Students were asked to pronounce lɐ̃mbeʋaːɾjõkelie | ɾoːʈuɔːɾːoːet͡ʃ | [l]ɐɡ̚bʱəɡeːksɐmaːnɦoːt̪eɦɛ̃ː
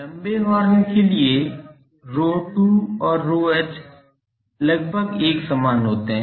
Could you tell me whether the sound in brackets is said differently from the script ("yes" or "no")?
no